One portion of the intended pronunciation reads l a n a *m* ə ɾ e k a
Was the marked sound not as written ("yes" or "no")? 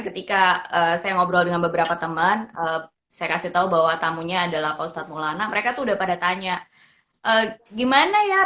no